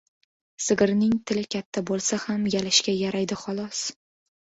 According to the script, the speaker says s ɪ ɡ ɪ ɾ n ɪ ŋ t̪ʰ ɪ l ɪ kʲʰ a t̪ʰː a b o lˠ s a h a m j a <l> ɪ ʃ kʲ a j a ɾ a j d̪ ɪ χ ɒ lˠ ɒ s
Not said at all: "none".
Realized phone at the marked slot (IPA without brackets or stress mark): l